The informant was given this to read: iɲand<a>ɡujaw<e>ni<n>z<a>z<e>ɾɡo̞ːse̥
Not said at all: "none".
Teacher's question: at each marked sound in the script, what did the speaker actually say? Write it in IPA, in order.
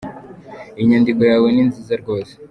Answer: i, e, n, i, a

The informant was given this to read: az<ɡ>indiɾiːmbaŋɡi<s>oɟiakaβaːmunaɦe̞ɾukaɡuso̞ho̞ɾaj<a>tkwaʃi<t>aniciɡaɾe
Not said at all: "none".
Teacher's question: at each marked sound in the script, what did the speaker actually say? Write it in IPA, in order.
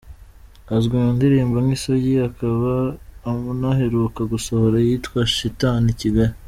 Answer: ɡ, s, i, t

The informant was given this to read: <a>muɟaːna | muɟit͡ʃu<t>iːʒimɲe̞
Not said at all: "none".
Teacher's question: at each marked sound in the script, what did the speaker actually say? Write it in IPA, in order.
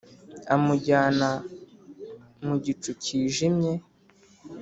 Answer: a, c

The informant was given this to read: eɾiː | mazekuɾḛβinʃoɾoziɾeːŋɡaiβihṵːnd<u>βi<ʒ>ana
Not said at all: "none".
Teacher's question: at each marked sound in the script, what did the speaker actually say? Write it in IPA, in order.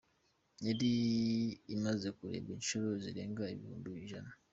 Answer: u, ʒ

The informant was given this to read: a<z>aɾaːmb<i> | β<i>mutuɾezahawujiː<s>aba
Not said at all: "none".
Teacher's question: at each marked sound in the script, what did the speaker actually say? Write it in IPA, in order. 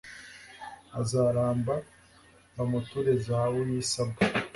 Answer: z, a, a, s

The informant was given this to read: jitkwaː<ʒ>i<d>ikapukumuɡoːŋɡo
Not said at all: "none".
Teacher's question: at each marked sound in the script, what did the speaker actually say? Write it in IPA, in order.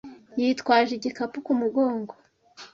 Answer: ʒ, ɟ

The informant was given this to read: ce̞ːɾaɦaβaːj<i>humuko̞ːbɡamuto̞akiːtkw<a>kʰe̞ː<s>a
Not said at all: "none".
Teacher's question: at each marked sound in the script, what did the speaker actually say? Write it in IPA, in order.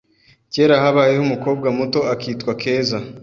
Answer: e, a, z

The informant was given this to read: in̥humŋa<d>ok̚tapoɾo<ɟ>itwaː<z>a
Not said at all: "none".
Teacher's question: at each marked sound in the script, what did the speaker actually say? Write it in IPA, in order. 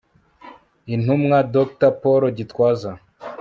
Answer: d, ɟ, z

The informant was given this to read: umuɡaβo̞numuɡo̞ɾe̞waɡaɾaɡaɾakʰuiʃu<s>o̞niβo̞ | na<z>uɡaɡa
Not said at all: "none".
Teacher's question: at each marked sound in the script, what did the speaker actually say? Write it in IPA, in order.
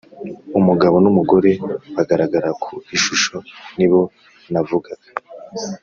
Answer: ʃ, v

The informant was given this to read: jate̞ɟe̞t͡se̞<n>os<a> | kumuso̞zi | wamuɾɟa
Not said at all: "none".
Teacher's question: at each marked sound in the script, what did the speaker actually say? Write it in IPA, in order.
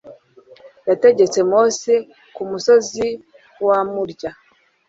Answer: m, e

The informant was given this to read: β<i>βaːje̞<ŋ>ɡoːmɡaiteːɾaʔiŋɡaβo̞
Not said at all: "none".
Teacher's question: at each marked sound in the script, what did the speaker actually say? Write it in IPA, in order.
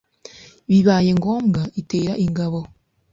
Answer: i, ŋ

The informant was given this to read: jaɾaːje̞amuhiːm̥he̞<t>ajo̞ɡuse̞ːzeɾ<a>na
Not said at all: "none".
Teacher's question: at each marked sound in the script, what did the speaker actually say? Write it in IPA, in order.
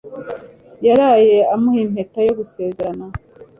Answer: t, a

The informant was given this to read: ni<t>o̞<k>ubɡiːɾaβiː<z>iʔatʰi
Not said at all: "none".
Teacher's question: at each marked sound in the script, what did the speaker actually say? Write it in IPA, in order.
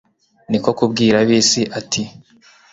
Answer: k, k, s

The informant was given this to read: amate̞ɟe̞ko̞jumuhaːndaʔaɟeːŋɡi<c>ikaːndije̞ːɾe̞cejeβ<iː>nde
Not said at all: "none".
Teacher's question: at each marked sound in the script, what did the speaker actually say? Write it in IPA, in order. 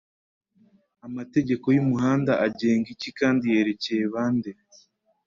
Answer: c, aː

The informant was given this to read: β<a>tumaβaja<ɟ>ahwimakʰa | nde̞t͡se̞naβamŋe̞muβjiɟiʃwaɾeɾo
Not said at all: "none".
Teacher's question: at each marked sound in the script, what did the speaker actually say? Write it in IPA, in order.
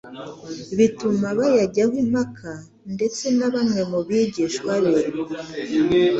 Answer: i, ɟ

